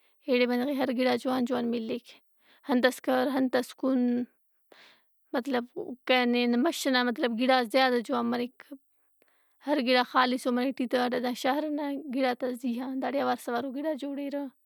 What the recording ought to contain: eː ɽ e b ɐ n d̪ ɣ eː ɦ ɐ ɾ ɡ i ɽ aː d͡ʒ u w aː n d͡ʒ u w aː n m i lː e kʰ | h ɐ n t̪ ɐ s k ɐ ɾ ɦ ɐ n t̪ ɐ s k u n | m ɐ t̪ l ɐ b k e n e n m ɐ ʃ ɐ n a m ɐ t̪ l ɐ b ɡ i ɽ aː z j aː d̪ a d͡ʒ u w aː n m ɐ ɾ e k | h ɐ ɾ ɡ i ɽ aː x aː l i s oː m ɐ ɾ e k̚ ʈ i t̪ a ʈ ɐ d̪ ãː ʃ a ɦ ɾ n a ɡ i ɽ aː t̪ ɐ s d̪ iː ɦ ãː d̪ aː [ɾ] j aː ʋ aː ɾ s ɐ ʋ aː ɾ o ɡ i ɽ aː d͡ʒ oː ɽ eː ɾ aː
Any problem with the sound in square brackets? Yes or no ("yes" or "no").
yes